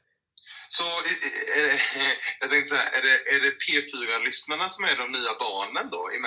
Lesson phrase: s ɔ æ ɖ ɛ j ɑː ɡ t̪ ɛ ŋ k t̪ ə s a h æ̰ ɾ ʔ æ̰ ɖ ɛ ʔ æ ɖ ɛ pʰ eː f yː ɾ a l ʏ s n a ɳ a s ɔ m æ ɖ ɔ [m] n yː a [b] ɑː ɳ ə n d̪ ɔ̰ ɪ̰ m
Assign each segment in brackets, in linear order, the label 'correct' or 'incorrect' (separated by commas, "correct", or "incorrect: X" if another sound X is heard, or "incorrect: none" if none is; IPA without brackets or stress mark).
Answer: correct, correct